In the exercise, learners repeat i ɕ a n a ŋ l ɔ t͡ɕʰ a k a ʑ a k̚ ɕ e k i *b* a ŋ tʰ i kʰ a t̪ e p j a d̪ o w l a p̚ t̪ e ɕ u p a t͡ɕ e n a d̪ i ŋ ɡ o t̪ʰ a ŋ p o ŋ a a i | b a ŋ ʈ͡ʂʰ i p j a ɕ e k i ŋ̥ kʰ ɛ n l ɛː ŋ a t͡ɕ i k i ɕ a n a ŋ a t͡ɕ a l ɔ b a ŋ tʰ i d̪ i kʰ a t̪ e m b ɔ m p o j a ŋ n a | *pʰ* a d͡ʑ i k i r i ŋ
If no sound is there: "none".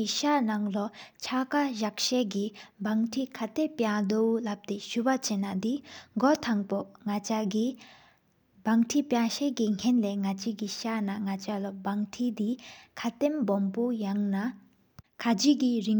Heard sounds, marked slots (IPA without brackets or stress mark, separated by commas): b, kʰ